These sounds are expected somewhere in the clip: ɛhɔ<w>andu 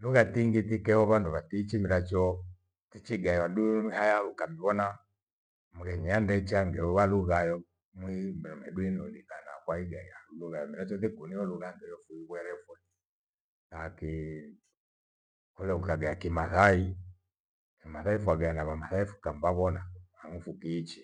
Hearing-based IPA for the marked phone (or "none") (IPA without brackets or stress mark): β